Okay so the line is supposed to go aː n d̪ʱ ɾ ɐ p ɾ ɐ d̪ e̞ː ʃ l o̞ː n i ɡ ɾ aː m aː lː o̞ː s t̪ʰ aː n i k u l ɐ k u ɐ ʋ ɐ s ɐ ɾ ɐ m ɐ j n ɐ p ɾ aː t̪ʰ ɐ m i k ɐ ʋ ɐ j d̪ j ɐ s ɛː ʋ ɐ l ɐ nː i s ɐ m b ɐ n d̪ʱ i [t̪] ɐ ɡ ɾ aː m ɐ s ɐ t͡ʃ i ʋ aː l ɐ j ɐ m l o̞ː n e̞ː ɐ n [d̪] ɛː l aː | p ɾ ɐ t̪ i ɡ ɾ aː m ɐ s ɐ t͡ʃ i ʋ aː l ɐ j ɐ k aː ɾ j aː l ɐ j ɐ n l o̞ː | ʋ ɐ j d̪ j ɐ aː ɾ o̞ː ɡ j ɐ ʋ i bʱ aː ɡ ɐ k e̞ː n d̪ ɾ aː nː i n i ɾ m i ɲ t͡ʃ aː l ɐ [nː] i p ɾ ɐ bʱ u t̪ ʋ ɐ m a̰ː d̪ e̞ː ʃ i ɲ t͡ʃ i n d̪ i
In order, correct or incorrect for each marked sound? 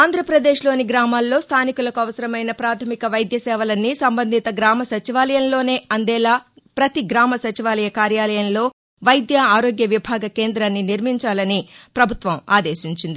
correct, correct, incorrect: n

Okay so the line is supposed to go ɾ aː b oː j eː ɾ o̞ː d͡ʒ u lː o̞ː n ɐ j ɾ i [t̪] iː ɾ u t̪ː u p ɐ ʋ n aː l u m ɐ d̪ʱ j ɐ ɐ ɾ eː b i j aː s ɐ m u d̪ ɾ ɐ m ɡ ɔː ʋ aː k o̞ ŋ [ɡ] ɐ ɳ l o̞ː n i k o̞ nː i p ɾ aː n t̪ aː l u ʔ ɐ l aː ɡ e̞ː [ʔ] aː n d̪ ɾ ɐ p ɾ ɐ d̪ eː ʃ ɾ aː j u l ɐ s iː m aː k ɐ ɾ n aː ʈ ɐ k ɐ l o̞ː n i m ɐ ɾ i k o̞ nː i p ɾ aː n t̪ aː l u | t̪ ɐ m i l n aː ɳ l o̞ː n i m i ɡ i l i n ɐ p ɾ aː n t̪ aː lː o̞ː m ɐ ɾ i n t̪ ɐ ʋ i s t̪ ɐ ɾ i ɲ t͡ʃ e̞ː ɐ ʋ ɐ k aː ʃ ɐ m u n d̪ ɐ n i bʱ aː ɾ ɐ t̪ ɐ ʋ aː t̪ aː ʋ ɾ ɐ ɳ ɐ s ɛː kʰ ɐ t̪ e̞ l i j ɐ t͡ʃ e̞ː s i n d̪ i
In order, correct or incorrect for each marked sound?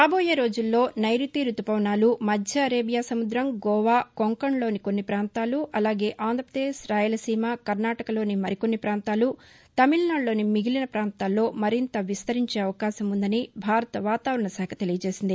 correct, incorrect: k, correct

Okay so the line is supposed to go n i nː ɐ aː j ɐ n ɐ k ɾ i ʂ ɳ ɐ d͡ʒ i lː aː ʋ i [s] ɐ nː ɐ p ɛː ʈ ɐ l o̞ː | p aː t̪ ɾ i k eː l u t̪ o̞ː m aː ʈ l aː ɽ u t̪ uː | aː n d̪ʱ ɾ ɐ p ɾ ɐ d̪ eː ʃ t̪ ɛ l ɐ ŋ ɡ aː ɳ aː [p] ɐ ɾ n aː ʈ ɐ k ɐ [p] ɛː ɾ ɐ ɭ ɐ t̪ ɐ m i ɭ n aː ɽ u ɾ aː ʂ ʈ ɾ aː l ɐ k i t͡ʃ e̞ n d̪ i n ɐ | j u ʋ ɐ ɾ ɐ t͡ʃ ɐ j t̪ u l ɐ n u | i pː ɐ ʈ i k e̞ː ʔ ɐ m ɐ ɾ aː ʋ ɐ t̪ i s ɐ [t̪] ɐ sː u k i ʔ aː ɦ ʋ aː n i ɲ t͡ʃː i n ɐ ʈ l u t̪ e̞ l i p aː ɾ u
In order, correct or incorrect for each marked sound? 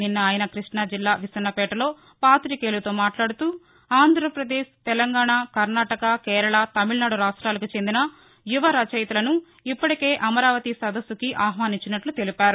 correct, incorrect: k, incorrect: k, incorrect: d̪

